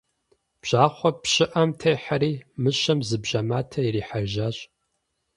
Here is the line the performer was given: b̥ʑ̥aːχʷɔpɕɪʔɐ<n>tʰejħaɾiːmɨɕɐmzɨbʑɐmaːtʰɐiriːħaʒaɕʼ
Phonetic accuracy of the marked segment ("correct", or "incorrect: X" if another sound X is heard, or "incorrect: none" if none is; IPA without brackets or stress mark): incorrect: m